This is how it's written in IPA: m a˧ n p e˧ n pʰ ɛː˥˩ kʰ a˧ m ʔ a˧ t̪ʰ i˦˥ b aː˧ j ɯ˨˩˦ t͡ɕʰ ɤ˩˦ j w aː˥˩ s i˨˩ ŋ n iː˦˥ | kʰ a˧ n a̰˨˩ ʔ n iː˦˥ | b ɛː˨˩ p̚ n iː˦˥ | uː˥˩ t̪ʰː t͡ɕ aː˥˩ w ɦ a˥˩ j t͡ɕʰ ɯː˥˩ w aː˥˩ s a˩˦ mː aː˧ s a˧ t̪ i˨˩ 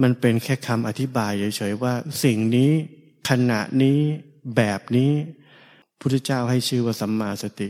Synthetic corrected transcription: m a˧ n p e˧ n kʰ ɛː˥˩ kʰ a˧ m ʔ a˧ t̪ʰ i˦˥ b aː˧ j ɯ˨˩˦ t͡ɕʰ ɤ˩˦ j w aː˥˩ s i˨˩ ŋ n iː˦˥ | kʰ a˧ n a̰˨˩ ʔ n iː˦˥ | b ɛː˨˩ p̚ n iː˦˥ | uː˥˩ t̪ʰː t͡ɕ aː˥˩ w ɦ a˥˩ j t͡ɕʰ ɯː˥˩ w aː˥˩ s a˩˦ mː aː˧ s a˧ t̪ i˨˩